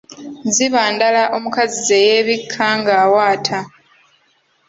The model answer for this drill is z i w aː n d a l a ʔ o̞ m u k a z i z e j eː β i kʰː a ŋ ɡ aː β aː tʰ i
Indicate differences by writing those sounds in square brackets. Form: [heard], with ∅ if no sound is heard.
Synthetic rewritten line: z i [β] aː n d a l a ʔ o̞ m u k a z i z e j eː β i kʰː a ŋ ɡ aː [w] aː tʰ [a]